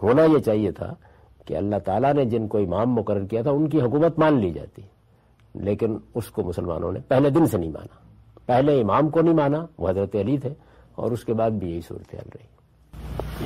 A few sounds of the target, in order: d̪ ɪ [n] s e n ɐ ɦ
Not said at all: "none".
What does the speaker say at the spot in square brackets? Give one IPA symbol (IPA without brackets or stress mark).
n